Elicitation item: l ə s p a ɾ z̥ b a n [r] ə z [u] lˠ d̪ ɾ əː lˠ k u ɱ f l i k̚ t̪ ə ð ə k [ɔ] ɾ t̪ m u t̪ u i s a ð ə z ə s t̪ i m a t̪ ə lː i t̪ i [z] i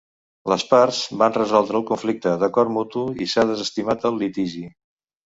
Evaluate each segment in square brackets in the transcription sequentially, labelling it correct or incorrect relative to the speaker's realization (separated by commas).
correct, incorrect, correct, incorrect